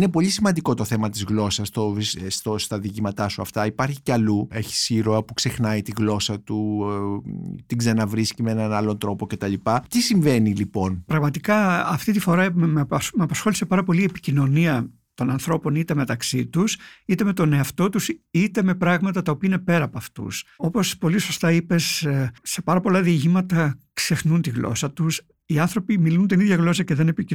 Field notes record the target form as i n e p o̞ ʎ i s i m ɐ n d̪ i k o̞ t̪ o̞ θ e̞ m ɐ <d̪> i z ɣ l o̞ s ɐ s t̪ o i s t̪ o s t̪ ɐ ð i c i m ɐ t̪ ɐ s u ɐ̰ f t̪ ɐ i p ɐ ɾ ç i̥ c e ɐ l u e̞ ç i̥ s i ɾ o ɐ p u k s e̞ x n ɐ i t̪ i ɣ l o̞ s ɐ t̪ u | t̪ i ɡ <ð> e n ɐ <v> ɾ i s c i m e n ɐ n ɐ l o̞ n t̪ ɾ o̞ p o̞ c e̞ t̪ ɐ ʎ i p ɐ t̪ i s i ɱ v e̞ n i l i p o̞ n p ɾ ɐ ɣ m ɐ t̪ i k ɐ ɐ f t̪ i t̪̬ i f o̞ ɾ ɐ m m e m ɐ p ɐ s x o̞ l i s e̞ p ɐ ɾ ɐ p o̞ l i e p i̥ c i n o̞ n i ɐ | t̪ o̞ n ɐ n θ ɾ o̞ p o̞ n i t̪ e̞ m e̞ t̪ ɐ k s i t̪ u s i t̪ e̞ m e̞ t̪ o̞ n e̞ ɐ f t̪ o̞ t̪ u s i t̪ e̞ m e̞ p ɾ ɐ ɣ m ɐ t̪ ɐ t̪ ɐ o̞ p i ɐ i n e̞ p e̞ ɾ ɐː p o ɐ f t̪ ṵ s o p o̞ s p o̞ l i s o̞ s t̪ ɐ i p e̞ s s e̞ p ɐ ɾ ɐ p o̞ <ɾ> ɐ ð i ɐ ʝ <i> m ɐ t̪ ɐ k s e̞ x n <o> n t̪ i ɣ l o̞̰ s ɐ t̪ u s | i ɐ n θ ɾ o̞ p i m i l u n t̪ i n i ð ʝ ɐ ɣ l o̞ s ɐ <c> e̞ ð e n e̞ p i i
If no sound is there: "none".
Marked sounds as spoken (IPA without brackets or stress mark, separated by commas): t̪, z, v, l, i, u, c